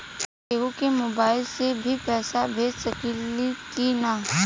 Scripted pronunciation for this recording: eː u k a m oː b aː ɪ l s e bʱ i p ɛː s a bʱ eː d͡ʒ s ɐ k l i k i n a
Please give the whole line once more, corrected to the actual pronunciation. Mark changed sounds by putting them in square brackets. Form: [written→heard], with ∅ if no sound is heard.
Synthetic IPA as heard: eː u k [a→e] m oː b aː ɪ l s e bʱ i p ɛː s a bʱ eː d͡ʒ s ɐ k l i k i n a